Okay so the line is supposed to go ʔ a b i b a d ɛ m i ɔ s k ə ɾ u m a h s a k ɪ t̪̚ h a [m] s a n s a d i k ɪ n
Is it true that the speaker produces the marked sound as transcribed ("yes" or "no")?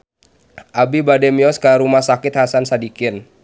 no